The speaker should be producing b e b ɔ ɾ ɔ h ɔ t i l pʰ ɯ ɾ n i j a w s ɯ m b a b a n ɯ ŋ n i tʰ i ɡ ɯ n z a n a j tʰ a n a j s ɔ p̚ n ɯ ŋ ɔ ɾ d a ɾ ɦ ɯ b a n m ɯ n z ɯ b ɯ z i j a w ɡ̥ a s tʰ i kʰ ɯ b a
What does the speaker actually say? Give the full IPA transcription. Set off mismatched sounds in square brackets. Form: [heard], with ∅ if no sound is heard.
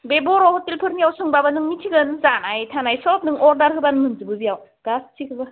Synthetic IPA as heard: b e b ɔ ɾ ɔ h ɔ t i l pʰ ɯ ɾ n i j a w s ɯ [ŋ] b a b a n ɯ ŋ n i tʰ i ɡ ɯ n z a n a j tʰ a n a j s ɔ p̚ n ɯ ŋ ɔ ɾ d a ɾ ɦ ɯ b a n m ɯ n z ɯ b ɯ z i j a w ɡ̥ a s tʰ i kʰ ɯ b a